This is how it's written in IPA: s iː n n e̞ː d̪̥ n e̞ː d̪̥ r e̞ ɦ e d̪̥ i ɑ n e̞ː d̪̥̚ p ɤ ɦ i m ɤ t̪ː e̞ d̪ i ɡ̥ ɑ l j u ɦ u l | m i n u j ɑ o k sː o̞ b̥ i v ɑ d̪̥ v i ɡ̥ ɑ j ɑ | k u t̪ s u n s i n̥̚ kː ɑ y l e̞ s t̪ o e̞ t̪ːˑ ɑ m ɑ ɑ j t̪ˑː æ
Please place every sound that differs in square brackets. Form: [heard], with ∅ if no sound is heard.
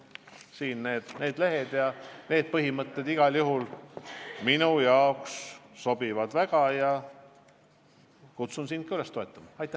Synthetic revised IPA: s iː n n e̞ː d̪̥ n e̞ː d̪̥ [l] e̞ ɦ e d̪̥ [j] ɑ n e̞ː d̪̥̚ p ɤ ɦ i m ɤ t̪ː e̞ d̪ i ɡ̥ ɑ l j u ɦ u l | m i n u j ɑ o k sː o̞ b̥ i v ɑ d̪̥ v [æ] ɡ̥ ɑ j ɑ | k u t̪ s u n s i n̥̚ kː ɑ y l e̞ s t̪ o e̞ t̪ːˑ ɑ m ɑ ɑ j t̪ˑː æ

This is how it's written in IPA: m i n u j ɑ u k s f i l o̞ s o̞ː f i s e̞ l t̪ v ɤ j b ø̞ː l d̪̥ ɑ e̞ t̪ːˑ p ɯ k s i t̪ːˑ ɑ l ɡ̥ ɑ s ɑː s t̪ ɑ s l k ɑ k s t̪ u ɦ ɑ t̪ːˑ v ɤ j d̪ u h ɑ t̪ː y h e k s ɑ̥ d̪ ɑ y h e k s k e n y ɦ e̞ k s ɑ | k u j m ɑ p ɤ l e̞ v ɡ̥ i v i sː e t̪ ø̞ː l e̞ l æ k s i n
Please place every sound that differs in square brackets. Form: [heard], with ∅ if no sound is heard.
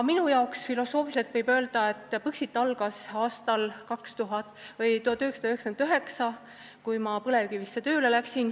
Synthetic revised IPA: m i n u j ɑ [o] k s f i l o̞ s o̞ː f i s e̞ l t̪ v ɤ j b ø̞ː l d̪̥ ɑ e̞ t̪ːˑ p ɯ k s i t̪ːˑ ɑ l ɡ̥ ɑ s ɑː s t̪ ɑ [∅] l k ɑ k s t̪ u ɦ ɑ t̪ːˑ v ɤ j [t̪] u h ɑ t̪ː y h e k s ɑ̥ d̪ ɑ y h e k s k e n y ɦ e̞ k s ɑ | k u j m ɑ p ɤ l e̞ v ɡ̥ i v i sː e t̪ ø̞ː l e̞ l æ k s i n

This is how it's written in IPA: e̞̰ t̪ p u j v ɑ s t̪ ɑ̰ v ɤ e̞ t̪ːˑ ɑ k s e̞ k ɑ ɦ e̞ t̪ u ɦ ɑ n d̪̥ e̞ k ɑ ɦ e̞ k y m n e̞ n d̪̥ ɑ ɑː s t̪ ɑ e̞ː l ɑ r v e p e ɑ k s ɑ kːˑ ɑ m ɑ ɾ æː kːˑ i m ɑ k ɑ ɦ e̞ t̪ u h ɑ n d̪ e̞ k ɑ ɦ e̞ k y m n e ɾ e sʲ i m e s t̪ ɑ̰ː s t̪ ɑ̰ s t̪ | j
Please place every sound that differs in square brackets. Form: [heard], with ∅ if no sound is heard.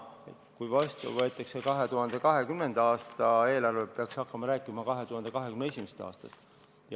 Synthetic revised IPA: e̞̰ t̪ [k] u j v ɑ s t̪ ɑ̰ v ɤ e̞ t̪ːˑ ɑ k s e̞ k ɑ ɦ e̞ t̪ u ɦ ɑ n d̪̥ e̞ k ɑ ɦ e̞ k y m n e̞ n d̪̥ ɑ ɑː s t̪ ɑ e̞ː l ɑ r v e p e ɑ k s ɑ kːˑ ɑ m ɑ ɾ æː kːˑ i m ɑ k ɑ ɦ e̞ t̪ u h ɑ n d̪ e̞ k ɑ ɦ e̞ k y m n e [∅] e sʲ i m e s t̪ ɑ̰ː s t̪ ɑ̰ s t̪ | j

